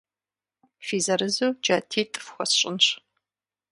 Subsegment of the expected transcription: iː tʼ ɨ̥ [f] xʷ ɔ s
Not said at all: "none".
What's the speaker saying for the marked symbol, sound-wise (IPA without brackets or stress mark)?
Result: f